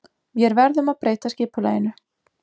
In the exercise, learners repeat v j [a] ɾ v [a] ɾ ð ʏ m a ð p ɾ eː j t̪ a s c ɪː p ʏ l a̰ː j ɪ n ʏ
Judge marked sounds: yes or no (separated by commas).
no, no